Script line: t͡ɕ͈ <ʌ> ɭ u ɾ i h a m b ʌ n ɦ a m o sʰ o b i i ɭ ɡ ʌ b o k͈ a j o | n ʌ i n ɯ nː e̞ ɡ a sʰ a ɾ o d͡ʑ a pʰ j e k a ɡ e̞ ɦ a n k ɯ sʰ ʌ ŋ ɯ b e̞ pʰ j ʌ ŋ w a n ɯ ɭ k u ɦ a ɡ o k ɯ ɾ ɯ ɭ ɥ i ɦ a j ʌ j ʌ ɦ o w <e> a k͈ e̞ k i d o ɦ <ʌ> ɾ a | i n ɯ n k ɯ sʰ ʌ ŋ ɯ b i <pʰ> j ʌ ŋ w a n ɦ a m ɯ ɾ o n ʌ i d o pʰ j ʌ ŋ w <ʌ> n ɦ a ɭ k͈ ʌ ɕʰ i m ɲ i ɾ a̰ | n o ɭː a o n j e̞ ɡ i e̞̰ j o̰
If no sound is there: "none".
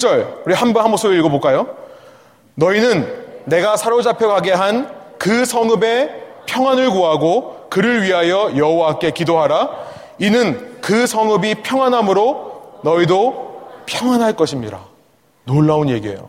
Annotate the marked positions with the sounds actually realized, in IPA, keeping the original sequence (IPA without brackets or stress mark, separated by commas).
ʌ, a, a, pʰ, a